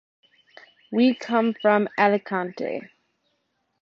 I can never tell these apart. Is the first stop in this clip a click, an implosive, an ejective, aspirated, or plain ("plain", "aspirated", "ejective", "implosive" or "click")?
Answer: aspirated